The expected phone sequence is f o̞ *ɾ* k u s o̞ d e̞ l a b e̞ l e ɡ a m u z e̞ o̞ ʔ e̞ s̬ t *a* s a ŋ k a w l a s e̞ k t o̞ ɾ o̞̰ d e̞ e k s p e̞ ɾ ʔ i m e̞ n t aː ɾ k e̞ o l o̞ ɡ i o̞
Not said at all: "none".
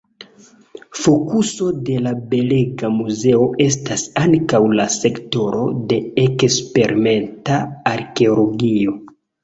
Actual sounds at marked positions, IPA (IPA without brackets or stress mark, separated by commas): none, a